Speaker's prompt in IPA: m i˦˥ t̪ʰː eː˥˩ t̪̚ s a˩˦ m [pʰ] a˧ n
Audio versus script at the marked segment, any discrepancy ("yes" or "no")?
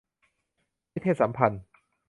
no